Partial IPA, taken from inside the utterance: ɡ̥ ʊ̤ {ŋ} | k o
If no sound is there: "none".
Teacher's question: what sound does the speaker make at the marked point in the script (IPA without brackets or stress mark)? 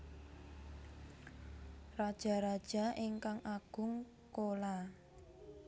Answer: ŋ